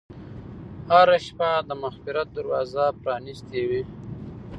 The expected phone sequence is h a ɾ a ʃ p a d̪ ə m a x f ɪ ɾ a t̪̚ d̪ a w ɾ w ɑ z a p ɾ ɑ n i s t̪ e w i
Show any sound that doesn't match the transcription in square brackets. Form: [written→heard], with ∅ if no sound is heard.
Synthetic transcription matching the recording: h a ɾ a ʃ p a d̪ ə m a x f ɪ ɾ a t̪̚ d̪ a [w→∅] ɾ w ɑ z a p ɾ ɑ n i s t̪ e w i